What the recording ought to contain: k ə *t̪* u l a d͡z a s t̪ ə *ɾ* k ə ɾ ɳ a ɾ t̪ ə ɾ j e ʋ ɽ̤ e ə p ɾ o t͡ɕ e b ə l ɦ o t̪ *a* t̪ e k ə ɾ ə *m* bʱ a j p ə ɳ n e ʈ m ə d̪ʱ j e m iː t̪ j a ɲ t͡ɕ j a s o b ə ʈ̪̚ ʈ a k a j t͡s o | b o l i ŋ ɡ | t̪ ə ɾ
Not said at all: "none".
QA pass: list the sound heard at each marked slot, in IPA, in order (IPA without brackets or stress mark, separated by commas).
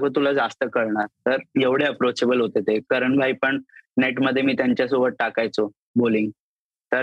t̪, none, e, ɳ